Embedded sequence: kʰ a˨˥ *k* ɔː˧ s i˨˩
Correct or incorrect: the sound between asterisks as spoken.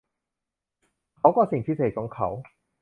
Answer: correct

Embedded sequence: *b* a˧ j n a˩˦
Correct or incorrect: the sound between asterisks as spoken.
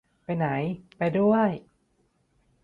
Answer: incorrect: p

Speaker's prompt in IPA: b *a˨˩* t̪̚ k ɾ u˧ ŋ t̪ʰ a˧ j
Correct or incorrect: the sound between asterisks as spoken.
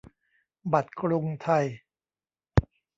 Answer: correct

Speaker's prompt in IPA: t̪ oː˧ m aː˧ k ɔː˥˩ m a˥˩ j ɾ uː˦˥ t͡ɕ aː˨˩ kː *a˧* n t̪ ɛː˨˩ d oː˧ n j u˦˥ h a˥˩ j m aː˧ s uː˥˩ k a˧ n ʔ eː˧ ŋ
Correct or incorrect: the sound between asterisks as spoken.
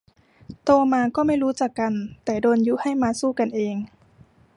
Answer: correct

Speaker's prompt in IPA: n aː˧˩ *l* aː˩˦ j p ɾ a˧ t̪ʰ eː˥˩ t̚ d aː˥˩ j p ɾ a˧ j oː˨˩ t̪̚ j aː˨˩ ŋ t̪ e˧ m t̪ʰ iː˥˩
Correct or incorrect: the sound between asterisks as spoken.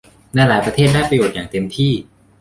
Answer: correct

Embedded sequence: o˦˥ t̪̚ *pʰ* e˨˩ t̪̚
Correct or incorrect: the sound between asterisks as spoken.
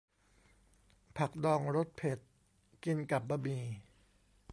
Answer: correct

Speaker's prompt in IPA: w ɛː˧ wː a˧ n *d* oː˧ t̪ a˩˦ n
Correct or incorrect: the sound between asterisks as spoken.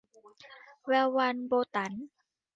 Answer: incorrect: b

